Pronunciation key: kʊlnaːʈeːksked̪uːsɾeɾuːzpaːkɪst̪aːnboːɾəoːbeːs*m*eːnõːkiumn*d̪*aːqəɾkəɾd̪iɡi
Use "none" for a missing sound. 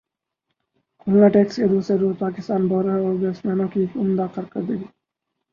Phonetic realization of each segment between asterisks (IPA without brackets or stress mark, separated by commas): m, d̪